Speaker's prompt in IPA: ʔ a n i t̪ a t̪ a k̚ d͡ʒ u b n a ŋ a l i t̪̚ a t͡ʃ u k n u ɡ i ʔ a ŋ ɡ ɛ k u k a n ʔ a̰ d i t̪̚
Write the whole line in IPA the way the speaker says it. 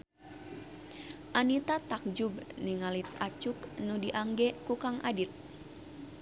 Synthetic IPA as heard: ʔ a n i t̪ a t̪ a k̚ d͡ʒ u b n i ŋ a l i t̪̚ a t͡ʃ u k n u d i ʔ a ŋ ɡ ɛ k u k a ŋ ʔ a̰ d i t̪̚